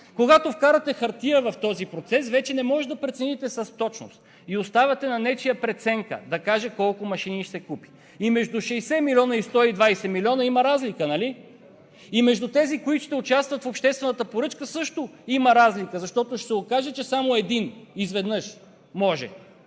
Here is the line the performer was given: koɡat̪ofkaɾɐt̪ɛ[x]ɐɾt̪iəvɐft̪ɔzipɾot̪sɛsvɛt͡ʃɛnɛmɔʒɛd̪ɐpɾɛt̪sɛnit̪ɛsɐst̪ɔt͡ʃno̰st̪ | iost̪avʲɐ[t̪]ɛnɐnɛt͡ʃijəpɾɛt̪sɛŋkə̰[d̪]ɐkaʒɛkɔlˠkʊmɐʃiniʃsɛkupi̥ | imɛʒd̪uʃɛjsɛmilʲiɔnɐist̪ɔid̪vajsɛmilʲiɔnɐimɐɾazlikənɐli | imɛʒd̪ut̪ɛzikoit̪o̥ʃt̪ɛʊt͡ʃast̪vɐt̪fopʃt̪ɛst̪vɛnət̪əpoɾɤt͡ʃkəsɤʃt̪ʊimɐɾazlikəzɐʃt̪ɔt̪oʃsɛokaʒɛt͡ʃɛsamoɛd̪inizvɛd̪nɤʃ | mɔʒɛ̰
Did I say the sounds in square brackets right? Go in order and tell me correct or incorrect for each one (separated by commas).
correct, correct, correct